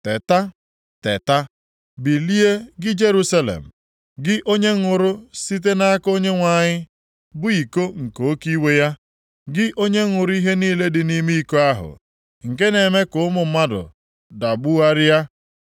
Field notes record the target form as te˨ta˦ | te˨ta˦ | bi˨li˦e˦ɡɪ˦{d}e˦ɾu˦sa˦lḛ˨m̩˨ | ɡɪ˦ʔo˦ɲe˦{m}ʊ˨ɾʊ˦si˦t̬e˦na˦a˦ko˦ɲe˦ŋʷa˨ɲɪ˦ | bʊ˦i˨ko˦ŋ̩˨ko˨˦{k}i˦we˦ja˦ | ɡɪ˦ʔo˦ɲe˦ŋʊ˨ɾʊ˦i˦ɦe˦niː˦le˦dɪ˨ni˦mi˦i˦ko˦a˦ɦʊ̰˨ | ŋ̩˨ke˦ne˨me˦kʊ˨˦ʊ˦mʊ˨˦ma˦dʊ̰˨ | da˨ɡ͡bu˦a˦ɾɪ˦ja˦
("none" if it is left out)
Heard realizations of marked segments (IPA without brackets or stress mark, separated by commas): d͡ʒ, ŋ, k